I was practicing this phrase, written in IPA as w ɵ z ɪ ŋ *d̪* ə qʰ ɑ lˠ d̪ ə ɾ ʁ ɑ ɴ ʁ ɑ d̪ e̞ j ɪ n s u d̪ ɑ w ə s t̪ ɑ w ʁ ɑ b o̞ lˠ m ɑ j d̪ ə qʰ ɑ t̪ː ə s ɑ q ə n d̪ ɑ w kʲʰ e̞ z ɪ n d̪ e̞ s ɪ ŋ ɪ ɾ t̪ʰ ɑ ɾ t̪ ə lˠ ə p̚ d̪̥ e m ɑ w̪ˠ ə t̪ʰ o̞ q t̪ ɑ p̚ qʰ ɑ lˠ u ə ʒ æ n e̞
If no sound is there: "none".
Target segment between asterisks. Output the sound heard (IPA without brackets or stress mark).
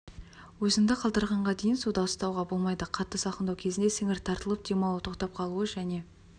d̪